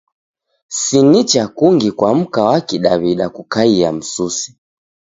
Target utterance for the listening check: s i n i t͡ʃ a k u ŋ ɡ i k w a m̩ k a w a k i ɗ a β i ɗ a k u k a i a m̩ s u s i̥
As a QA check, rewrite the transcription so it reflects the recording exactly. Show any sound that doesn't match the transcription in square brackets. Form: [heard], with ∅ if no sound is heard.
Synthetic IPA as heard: s i n i t͡ʃ a k u ŋ ɡ i k w a m̩ k a w a k i ɗ a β i ɗ a k u k a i a m̩ s u s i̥